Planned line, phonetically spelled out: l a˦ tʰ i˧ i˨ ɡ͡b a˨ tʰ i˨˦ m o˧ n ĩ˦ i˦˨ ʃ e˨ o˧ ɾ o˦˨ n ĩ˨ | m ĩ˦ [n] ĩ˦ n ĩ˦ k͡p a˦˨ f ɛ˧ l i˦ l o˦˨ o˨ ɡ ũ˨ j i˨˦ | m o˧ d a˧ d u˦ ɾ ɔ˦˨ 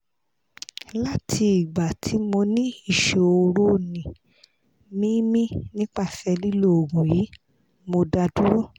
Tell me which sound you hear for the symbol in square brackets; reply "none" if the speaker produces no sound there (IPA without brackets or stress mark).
m